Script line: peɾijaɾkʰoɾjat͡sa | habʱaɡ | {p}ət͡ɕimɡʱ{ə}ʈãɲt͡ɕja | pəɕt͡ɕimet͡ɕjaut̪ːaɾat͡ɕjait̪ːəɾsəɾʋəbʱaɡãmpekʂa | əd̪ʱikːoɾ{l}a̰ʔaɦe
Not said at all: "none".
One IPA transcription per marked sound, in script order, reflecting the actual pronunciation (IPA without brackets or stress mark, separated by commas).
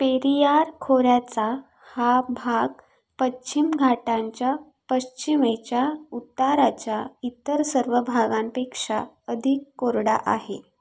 p, a, ɽ